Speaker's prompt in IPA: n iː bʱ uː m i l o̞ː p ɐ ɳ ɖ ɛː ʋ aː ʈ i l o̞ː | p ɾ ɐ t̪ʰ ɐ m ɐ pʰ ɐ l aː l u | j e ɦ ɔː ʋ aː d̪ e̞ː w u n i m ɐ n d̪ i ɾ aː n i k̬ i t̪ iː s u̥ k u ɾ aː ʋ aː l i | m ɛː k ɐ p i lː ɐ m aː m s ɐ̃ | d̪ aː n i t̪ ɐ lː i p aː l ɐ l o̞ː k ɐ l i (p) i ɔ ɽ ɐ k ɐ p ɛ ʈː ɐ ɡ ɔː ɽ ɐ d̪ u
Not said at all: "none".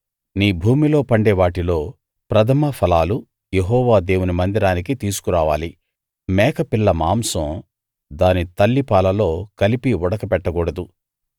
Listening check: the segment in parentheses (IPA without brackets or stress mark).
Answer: p